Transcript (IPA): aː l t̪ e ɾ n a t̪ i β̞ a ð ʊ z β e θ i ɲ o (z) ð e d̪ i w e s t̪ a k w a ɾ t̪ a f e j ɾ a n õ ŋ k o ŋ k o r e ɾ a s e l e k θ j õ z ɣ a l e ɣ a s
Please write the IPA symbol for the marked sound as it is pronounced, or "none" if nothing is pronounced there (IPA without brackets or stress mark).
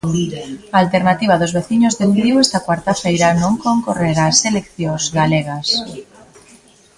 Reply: z